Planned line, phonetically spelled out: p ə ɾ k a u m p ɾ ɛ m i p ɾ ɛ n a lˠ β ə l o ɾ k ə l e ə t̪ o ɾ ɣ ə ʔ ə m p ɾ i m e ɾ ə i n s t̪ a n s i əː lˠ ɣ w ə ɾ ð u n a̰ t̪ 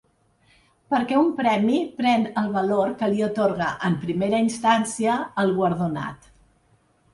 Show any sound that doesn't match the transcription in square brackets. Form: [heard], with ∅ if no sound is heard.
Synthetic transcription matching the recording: p ə ɾ k [ɛ] u m p ɾ ɛ m i p ɾ ɛ n [ə] lˠ β ə l o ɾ k ə l [i] ə t̪ o ɾ ɣ ə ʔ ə m p ɾ i m e ɾ ə i n s t̪ a n s i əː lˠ ɣ w ə ɾ ð u n a̰ t̪

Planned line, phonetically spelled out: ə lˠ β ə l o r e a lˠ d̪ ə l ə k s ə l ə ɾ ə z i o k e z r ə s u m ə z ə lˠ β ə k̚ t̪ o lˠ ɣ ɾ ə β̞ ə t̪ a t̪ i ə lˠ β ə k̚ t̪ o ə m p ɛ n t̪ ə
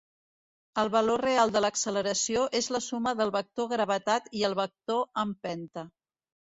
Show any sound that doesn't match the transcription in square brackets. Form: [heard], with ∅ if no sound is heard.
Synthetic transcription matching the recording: ə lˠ β ə l o r e a lˠ d̪ ə l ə k s ə l ə ɾ ə [s] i o [ʔ] e z [l] ə s u m ə [ð] ə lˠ β ə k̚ t̪ o [∅] ɣ ɾ ə β̞ ə t̪ a t̪ i ə lˠ β ə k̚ t̪ o ə m p ɛ n t̪ ə

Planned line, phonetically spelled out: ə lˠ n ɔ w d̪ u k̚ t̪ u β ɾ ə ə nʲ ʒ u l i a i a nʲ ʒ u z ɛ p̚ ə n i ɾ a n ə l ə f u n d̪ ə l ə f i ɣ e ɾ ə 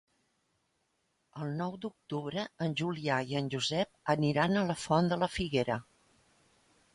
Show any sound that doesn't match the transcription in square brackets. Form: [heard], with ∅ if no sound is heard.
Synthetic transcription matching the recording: ə lˠ n ɔ w d̪ u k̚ t̪ u β ɾ ə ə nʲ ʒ u l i a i [ə] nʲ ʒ u z ɛ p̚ ə n i ɾ a n ə l ə f [ɔ] n d̪ ə l ə f i ɣ e ɾ ə

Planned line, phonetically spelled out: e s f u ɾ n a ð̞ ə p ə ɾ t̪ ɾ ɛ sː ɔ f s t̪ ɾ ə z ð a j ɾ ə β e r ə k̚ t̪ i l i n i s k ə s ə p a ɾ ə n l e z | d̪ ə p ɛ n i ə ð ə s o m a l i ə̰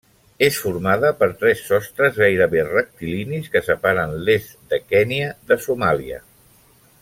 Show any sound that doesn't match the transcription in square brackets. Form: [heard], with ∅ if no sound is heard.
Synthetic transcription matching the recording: e s f u ɾ [m] a ð̞ ə p ə ɾ t̪ ɾ ɛ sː ɔ [∅] s t̪ ɾ ə z [ɣ] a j ɾ ə β e r ə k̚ t̪ i l i n i s k ə s ə p a ɾ ə n l e z | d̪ ə [k] ɛ n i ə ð ə s [u] m a l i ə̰

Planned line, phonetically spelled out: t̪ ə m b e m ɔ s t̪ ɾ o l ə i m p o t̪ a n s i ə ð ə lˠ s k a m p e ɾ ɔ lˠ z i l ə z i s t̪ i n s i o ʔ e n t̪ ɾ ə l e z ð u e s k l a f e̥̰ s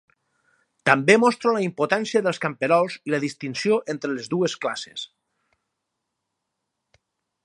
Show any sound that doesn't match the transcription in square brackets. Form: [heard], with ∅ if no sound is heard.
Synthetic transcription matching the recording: t̪ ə m b e m ɔ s t̪ ɾ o l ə i m p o t̪ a n s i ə ð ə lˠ s k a m p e ɾ ɔ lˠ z i l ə [ð] i s t̪ i n s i o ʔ e n t̪ ɾ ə l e z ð u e s k l a [s] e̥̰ s

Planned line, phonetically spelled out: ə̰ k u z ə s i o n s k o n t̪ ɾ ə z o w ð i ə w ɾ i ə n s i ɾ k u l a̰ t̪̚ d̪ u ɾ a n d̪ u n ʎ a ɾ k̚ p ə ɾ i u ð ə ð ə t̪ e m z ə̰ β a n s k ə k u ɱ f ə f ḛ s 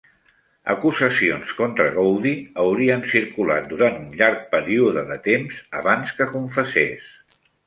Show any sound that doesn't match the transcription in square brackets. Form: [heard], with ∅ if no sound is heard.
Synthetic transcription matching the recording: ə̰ k u z ə s i o n s k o n t̪ ɾ ə [ɣ] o w ð i ə w ɾ i ə n s i ɾ k u l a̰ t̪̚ d̪ u ɾ a n [t̪] u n ʎ a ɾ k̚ p ə ɾ i u ð ə ð ə t̪ e m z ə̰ β a n s k ə k u ɱ f ə [s] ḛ s

